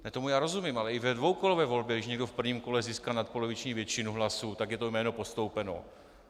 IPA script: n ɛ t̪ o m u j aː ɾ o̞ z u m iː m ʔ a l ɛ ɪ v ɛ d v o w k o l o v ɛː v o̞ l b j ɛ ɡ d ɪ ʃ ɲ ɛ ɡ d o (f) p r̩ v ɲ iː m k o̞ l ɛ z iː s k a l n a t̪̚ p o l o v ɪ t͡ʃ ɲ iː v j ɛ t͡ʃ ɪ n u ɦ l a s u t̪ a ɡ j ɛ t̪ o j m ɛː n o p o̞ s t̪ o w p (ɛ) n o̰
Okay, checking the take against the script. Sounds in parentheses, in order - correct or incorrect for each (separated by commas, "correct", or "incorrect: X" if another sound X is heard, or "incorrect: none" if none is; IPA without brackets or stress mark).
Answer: correct, correct